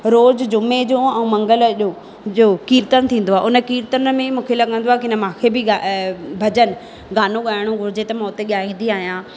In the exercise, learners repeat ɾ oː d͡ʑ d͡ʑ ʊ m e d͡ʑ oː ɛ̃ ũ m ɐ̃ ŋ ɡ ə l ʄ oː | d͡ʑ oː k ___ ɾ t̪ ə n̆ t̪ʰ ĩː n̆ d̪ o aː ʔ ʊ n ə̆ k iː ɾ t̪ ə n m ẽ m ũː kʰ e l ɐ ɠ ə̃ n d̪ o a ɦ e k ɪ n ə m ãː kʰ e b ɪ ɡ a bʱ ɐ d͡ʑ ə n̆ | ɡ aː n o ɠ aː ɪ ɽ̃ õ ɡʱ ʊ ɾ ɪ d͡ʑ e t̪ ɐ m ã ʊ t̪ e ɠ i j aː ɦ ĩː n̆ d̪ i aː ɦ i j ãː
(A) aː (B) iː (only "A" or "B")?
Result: B